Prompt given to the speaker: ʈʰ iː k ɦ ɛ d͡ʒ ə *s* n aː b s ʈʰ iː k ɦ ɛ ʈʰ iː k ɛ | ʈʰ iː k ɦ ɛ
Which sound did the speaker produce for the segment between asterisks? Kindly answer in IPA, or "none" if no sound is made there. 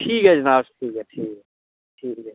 none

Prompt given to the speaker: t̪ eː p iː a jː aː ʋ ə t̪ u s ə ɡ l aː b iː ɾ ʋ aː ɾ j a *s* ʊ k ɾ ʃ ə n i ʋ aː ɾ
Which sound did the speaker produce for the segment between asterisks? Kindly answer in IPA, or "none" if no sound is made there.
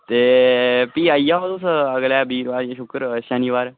ʃ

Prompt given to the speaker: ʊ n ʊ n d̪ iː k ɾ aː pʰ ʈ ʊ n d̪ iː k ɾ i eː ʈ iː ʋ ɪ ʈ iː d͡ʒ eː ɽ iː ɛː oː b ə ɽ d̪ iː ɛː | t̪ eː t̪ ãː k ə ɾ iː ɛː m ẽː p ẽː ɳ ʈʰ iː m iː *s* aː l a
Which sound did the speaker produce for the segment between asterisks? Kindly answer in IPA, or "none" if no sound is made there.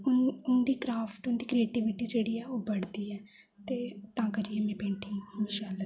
ʃ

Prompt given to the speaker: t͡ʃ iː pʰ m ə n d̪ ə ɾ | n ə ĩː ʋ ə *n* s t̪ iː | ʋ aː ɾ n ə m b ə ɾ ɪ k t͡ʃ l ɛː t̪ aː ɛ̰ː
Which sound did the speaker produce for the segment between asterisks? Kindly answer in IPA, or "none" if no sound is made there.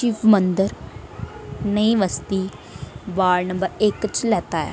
none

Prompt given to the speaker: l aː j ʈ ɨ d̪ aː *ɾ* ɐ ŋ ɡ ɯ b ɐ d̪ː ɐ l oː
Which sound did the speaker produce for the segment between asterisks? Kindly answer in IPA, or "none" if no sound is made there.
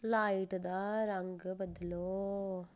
ɾ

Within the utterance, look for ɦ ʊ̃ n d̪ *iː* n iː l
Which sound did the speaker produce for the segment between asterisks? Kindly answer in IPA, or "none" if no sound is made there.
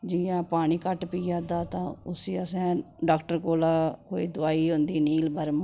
iː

